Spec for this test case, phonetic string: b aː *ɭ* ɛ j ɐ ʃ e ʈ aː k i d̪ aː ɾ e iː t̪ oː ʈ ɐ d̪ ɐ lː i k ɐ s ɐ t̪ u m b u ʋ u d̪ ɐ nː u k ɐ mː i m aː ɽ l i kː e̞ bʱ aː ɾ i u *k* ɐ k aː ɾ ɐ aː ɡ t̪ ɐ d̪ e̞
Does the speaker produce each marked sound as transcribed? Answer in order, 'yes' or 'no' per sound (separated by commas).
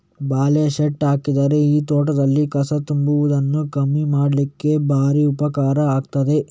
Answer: no, no